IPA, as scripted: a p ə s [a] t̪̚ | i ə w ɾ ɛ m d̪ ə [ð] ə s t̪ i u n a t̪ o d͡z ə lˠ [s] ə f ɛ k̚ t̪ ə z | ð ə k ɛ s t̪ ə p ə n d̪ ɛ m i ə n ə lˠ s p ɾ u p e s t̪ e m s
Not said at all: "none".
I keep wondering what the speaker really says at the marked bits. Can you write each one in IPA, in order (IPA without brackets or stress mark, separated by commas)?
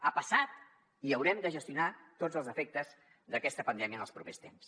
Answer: a, ʒ, z